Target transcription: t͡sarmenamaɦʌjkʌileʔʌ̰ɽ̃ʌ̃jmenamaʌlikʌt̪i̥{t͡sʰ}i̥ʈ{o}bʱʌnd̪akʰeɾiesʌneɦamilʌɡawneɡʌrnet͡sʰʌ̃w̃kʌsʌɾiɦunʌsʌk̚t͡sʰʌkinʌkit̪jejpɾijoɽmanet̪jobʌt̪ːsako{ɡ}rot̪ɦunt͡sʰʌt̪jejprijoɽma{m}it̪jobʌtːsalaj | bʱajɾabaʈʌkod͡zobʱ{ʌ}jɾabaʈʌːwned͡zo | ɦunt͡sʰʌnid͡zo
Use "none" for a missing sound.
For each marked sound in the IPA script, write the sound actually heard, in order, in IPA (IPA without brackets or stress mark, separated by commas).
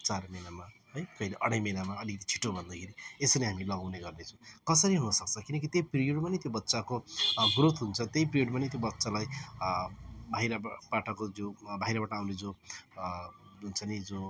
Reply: t͡sʰ, o, ɡ, n, a